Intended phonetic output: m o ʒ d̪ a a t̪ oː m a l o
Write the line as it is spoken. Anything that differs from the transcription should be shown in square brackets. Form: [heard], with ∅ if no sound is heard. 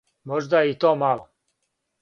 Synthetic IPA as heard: m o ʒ d̪ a [i] t̪ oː m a l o